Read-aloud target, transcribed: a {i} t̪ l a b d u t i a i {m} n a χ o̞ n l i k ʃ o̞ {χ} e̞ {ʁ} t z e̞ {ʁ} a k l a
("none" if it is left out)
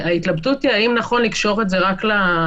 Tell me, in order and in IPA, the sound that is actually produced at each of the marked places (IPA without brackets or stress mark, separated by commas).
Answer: i, m, ʁ, none, ʁ